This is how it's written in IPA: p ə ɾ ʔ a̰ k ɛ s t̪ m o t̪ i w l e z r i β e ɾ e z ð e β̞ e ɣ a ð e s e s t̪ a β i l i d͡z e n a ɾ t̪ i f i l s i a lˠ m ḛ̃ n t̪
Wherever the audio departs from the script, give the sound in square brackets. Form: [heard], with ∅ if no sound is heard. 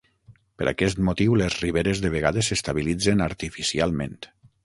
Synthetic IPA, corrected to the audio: p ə ɾ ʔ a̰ k ɛ s t̪ m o t̪ i w l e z r i β e ɾ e z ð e β̞ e ɣ a ð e s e s t̪ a β i l i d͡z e n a ɾ t̪ i f i [∅] s i a lˠ m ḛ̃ n t̪